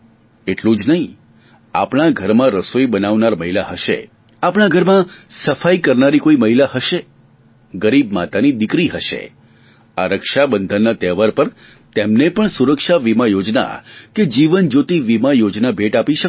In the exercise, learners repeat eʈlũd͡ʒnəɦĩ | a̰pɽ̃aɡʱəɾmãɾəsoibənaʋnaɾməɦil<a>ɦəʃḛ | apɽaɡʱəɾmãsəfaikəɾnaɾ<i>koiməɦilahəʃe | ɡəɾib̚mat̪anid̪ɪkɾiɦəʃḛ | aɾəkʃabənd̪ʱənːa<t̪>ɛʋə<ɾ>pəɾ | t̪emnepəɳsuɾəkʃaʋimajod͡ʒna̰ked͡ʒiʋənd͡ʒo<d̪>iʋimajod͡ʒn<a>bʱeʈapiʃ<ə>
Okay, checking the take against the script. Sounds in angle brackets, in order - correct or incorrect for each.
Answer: correct, correct, correct, correct, incorrect: t̪, correct, correct

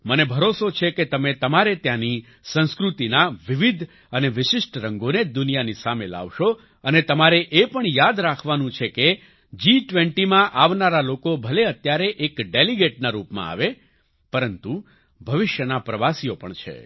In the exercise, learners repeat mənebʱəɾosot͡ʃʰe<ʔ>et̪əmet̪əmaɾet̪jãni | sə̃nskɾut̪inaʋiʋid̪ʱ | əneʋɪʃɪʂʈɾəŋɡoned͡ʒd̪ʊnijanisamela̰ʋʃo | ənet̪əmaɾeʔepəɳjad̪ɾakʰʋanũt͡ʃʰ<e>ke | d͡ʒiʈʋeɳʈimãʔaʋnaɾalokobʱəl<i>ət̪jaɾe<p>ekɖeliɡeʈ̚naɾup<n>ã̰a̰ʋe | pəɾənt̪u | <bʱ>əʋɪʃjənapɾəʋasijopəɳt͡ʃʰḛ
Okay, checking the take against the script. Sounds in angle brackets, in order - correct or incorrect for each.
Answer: incorrect: k, correct, incorrect: e, incorrect: ʔ, incorrect: m, correct

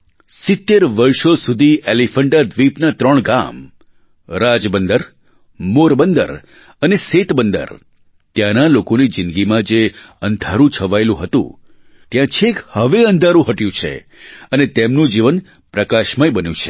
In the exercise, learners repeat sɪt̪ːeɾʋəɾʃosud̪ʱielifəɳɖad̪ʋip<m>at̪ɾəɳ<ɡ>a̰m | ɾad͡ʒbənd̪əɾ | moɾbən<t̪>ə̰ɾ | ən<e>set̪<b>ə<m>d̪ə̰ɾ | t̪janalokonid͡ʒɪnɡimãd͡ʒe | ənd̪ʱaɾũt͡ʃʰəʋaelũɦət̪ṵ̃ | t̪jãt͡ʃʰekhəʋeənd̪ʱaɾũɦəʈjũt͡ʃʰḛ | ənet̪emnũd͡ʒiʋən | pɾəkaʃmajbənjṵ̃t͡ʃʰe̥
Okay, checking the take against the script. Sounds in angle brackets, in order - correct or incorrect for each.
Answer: incorrect: n, correct, incorrect: d̪, correct, correct, incorrect: n

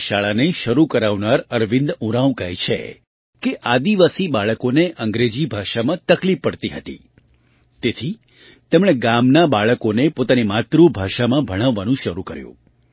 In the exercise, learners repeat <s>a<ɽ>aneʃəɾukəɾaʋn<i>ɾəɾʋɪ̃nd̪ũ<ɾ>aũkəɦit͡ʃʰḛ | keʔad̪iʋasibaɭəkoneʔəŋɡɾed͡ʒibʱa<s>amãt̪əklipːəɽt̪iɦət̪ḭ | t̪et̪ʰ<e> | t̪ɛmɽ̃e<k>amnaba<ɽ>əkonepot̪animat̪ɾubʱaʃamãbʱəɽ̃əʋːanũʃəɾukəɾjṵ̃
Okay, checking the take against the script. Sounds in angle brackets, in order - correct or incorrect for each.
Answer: incorrect: ʃ, incorrect: ɭ, incorrect: a, correct, incorrect: ʃ, incorrect: i, incorrect: ɡ, incorrect: ɭ

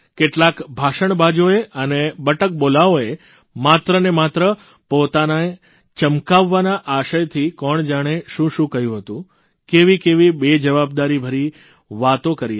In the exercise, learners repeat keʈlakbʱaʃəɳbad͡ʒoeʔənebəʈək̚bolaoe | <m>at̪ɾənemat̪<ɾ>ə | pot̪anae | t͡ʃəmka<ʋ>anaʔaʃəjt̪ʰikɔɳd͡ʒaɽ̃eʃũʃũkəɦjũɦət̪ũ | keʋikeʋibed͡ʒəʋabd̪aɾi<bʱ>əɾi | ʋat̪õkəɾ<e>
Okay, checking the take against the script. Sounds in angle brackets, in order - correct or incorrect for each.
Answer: correct, correct, incorrect: ʋː, correct, incorrect: i

